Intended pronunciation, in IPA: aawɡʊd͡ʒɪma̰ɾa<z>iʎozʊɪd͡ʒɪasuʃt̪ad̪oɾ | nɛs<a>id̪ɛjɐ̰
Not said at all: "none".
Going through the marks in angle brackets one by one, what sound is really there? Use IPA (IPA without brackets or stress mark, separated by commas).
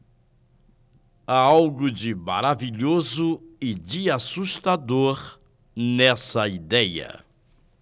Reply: v, ɐ